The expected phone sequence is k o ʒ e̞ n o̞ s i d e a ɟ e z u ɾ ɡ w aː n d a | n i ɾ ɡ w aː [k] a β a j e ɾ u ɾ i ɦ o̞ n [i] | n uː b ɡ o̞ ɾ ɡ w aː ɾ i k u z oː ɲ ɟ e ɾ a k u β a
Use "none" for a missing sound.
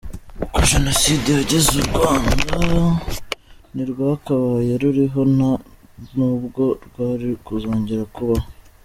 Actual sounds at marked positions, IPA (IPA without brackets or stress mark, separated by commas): k, a